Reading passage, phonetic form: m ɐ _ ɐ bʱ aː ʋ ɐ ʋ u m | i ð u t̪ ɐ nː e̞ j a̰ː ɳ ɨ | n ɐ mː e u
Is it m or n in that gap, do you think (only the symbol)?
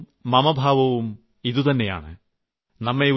m